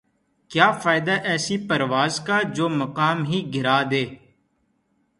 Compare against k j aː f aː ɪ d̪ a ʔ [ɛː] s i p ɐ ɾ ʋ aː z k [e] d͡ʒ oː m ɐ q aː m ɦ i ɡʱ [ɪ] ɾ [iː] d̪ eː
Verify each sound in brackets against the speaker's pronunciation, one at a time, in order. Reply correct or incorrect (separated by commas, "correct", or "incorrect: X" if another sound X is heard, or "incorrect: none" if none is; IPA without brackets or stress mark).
correct, incorrect: a, correct, incorrect: aː